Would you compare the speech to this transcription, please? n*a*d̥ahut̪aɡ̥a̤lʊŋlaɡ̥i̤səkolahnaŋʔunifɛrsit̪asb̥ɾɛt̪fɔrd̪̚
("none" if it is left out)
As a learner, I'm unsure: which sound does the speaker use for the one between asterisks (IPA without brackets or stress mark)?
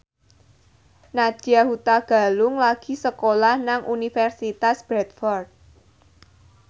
a